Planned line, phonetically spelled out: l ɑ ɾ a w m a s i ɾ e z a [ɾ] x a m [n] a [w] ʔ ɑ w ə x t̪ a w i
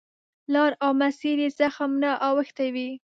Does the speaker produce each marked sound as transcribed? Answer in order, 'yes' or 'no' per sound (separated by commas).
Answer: no, yes, no